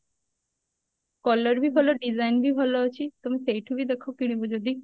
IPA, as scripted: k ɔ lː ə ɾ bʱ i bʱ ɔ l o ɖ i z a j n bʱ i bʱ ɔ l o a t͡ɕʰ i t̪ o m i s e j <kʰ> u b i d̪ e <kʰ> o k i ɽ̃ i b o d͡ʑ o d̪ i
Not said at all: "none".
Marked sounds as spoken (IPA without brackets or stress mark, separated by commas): ʈʰ, kʰ